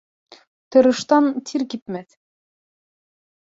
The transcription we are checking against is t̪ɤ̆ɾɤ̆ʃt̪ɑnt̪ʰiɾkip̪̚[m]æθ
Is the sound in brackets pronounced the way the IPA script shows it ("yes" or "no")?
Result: yes